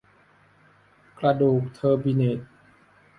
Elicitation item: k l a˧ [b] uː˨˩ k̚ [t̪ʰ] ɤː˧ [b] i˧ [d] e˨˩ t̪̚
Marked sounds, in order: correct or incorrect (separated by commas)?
incorrect, correct, correct, incorrect